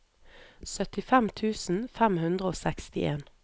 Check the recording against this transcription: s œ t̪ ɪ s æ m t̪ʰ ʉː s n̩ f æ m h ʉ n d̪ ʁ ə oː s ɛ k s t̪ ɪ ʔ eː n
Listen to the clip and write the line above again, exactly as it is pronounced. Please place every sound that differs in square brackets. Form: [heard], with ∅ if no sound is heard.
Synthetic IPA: s œ t̪ ɪ [f] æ m t̪ʰ ʉː s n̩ f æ m h ʉ n d̪ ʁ ə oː s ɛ k s t̪ ɪ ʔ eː n